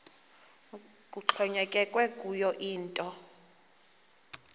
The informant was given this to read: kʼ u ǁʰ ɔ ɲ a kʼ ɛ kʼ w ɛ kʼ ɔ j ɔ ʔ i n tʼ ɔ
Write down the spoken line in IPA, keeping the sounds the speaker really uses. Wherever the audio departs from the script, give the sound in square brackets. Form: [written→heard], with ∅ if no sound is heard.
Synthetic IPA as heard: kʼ u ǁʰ ɔ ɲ [a→ɛ] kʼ ɛ kʼ w ɛ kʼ [ɔ→u] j ɔ ʔ [i→iː] n tʼ ɔ